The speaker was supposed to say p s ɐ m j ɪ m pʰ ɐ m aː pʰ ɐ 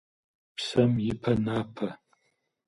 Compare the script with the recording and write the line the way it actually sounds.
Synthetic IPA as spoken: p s ɐ m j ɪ pʰ ɐ n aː pʰ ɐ

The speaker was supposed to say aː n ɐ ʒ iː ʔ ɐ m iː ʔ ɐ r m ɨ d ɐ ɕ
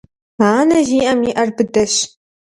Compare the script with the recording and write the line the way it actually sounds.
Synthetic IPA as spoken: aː n ɐ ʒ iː ʔ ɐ m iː ʔ ɐ r b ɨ d ɐ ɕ

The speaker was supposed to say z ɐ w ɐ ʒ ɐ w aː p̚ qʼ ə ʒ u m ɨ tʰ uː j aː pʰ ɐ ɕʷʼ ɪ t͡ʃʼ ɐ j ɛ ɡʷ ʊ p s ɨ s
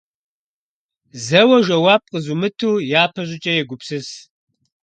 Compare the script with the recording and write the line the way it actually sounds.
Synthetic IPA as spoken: z ɐ w ɐ ʒ ɐ w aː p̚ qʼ ə z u m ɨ tʰ uː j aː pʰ ɐ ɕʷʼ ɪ t͡ʃʼ ɐ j ɛ ɡʷ ʊ p s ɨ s

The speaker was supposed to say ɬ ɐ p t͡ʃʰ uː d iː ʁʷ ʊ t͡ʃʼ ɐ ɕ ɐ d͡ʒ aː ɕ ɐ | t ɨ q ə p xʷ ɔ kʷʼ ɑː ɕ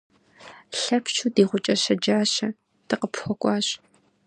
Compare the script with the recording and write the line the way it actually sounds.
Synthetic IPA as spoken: ɬ ɐ p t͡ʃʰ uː d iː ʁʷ ʊ t͡ʃʼ ɐ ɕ ɐ d͡ʒ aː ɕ ɐ | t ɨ q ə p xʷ ɔ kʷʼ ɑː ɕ

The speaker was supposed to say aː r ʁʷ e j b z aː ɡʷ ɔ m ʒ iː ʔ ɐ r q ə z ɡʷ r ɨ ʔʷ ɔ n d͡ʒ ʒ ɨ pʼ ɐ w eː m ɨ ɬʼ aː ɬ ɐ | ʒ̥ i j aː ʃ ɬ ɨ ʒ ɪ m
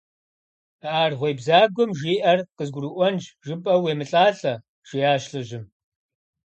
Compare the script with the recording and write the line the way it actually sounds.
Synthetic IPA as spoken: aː r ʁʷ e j b z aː ɡʷ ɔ m ʒ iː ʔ ɐ r q ə z ɡʷ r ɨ ʔʷ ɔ n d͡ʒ ʒ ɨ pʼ ɐ w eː m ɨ ɬʼ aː ɬ ɐ | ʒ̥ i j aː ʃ ɬ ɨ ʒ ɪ m

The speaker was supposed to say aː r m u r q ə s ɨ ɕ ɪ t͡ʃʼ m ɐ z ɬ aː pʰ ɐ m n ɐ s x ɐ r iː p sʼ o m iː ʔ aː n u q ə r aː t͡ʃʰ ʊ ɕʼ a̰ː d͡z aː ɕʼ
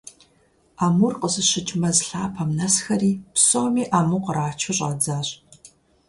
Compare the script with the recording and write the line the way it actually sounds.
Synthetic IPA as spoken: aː m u r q ə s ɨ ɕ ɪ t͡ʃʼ m ɐ z ɬ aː pʰ ɐ m n ɐ s x ɐ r iː p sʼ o m iː ʔ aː m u q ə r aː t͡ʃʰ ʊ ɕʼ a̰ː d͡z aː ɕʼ

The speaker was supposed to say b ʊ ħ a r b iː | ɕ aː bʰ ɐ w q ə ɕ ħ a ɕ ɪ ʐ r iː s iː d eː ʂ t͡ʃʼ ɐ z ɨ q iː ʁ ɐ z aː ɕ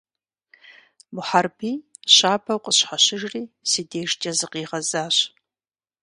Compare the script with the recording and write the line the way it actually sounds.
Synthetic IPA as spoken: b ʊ ħ a r b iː | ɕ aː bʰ ɐ w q ə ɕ ħ a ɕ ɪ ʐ r iː s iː d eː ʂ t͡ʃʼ ɐ z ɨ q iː ʁ ɐ z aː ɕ

